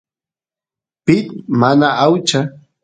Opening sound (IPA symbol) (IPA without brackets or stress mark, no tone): p